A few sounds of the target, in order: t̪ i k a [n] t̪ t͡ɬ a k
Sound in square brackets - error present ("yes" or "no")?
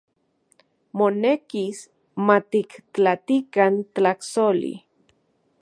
no